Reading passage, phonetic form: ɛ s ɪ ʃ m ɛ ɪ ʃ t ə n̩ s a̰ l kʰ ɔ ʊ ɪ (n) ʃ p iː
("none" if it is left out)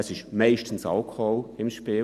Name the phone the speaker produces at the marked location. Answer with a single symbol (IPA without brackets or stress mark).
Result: m